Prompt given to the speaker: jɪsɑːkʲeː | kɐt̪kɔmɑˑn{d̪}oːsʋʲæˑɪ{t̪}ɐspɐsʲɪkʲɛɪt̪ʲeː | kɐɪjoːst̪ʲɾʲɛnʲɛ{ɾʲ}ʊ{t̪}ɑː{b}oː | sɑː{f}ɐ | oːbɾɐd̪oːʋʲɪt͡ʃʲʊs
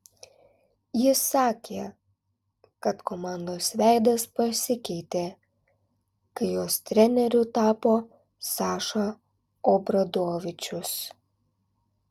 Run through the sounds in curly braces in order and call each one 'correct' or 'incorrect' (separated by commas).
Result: correct, incorrect, correct, correct, incorrect, incorrect